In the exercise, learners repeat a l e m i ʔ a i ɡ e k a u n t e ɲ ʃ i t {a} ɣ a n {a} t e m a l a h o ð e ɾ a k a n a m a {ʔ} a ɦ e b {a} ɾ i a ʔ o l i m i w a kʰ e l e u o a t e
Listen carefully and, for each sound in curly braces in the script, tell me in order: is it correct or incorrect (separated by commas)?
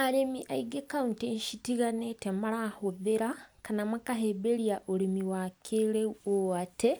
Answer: incorrect, incorrect, incorrect, incorrect